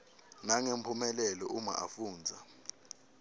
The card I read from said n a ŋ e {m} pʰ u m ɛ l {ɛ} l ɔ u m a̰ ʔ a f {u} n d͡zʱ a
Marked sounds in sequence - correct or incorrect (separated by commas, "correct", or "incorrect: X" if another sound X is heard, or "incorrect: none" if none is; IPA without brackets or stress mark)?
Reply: correct, correct, incorrect: uː